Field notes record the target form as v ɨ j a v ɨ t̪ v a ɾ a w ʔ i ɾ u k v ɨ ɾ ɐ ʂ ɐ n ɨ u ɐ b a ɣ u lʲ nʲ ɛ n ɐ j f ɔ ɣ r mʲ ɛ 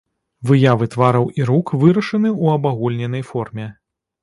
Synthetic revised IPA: v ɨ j a v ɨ t̪ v a ɾ ɐ w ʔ i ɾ u k v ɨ ɾ ɐ ʂ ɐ n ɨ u ɐ b a ɣ u lʲ nʲ ɛ n ɐ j f ɔ r mʲ ɛ